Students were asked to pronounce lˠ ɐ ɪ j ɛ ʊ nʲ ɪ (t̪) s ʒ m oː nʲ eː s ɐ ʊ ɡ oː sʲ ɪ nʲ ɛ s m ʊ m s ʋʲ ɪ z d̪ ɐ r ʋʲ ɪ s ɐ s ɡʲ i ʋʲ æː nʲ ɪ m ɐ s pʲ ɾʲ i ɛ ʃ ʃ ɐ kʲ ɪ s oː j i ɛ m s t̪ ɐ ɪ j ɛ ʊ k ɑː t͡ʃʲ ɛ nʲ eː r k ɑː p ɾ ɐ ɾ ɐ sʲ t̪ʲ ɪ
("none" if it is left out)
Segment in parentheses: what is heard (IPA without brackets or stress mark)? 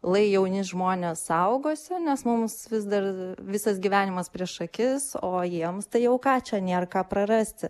none